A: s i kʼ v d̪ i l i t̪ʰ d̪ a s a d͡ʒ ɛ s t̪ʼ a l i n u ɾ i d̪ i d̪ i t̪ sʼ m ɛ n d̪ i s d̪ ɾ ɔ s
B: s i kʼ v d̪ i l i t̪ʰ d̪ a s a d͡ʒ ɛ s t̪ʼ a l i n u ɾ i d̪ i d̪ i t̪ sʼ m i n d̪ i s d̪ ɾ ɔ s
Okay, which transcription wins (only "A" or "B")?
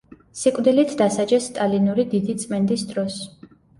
A